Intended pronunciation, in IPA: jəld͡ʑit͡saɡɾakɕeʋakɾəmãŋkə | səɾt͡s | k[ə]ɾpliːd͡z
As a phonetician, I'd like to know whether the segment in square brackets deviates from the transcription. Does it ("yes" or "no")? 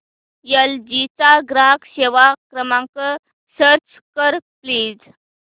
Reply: no